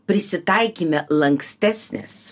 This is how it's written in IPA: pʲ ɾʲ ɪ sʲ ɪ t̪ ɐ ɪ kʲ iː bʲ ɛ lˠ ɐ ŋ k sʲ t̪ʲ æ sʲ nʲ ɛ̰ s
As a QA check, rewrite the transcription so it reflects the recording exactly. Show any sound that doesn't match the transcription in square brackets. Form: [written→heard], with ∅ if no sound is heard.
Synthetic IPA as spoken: pʲ ɾʲ ɪ sʲ ɪ t̪ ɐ ɪ kʲ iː [bʲ→mʲ] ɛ lˠ ɐ ŋ k sʲ t̪ʲ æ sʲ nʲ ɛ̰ s